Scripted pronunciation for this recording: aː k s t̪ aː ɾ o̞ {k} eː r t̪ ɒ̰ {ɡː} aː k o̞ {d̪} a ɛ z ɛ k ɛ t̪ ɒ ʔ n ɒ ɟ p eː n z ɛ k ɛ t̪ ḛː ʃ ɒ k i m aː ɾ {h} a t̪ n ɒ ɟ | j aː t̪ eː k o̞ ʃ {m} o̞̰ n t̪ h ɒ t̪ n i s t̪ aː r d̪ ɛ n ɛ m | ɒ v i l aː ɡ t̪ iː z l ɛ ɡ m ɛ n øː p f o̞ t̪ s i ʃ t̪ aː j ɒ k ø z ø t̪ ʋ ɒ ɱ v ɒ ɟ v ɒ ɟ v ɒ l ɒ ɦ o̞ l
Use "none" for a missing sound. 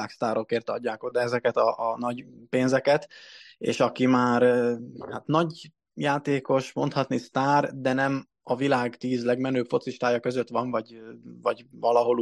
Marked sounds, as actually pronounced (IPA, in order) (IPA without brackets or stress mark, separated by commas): k, ɟː, d̪, h, m